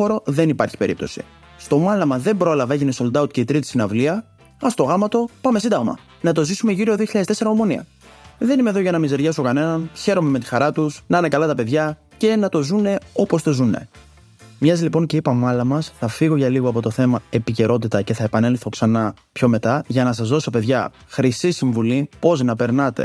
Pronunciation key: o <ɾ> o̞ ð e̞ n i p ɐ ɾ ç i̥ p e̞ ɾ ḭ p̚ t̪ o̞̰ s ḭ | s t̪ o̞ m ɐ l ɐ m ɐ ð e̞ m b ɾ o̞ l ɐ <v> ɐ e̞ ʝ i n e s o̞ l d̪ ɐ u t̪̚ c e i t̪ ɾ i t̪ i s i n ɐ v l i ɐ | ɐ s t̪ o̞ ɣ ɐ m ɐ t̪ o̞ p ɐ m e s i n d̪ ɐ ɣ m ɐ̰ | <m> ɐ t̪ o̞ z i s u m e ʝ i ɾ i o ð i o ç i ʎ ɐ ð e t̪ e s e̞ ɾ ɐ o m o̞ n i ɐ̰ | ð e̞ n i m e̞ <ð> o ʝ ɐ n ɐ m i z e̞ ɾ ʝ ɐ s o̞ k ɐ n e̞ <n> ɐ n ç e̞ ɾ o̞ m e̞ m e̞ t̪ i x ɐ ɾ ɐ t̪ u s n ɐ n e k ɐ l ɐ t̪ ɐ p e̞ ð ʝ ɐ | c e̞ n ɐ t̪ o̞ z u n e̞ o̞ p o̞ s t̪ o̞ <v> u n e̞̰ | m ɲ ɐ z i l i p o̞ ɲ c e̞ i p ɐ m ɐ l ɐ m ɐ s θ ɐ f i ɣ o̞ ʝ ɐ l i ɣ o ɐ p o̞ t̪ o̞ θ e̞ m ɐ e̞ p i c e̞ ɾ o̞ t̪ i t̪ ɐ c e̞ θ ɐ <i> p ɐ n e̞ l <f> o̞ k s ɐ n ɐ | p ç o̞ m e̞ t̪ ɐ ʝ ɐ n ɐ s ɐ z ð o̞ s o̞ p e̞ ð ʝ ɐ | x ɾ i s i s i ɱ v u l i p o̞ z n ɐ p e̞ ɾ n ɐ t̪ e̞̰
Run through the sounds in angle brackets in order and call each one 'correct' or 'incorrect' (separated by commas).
correct, correct, incorrect, correct, correct, incorrect, incorrect, incorrect